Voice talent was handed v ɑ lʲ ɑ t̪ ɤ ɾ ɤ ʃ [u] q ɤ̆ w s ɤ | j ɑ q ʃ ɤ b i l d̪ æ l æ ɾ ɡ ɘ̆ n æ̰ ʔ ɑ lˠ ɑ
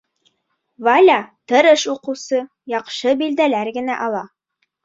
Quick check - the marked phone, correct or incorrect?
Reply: correct